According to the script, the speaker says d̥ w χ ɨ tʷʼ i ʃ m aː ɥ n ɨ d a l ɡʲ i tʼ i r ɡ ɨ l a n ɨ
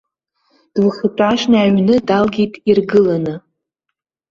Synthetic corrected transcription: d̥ w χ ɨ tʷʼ a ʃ n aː ɥ n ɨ d a l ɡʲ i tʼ i r ɡ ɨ l a n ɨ

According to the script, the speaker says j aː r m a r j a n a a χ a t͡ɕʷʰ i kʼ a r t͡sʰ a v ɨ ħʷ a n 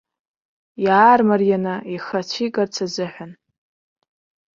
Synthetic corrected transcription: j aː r m a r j a n a i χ a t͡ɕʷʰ i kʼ a r t͡sʰ a z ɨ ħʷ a n

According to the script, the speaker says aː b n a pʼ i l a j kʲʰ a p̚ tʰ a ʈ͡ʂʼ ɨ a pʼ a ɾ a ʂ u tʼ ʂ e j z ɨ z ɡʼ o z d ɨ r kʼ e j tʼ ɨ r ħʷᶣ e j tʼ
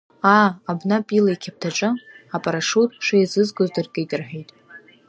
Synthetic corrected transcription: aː b n a pʼ i l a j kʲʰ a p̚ tʰ a ʈ͡ʂʼ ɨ a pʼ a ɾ a ʂ u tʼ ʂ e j z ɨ z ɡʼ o z d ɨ r kʼ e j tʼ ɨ r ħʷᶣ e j tʼ

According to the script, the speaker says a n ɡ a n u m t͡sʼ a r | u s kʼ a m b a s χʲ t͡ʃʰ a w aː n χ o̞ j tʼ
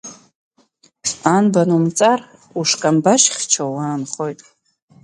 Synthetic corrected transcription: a n b a n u m t͡sʼ a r | u ʂ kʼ a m b a ʃ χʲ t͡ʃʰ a w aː n χ o̞ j tʼ

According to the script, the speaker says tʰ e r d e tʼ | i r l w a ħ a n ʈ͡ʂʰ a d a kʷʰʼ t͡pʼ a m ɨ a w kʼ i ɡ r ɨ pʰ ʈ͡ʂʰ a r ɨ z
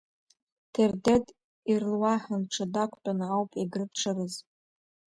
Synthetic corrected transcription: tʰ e r d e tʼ | i r l w a ħ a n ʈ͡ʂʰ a d a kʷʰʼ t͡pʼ a n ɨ a w pʼ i ɡ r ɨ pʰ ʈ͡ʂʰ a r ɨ z

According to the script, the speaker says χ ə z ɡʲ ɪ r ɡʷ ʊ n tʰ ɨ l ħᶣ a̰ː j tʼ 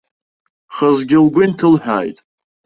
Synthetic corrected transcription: χ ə z ɡʲ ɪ l ɡʷ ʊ n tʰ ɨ l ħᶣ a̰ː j tʼ

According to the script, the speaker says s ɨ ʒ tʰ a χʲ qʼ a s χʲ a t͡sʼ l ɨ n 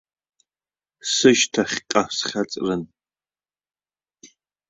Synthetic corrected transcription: s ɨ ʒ tʰ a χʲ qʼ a s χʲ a t͡sʼ r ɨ n

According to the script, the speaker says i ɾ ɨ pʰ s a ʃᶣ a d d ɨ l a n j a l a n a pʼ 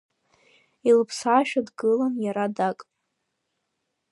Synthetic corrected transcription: i l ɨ pʰ s a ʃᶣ a d ɡ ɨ l a n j a ɾ a d a kʼ

